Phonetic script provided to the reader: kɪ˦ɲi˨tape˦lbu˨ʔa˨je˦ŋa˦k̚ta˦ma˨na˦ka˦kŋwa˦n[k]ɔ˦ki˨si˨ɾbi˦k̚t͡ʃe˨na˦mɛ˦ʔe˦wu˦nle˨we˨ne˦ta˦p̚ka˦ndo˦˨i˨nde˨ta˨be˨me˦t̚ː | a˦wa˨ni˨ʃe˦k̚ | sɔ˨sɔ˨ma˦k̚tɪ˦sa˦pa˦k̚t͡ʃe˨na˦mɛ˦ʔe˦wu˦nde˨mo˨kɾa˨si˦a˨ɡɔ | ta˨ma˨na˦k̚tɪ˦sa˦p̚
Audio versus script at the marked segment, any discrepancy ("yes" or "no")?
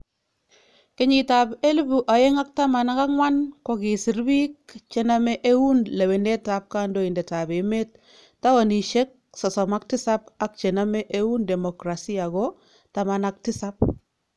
no